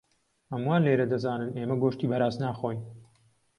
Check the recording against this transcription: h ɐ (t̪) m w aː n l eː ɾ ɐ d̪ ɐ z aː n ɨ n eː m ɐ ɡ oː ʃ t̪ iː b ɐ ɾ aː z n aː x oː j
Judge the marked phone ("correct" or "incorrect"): incorrect